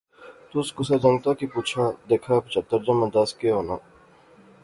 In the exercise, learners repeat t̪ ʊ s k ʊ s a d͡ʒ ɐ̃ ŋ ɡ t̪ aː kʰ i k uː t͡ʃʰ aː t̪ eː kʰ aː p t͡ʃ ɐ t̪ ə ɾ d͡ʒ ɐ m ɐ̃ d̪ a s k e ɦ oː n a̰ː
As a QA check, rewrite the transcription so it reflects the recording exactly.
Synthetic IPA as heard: t̪ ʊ s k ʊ s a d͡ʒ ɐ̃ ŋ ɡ t̪ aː k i p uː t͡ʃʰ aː d̪ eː kʰ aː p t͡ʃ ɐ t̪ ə ɾ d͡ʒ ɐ m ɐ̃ d̪ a s k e ɦ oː n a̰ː